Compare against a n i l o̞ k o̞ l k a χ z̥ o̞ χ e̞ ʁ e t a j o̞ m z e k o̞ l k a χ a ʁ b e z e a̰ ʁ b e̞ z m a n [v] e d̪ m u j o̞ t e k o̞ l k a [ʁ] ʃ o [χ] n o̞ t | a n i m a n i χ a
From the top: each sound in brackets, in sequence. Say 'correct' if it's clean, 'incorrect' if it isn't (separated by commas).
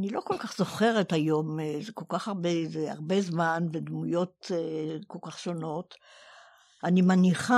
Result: correct, incorrect, incorrect